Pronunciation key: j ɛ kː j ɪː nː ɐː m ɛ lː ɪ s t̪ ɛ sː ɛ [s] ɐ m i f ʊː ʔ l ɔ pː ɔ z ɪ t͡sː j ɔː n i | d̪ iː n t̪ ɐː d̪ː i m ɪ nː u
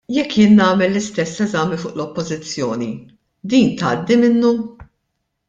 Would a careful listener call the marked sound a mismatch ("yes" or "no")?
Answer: yes